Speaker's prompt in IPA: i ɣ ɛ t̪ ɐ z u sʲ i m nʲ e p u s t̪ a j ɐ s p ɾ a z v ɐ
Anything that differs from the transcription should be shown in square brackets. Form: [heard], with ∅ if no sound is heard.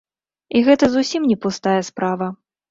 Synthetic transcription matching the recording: i ɣ ɛ t̪ ɐ z u sʲ i m nʲ [ɛ] p u s t̪ a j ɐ s p ɾ a [∅] v ɐ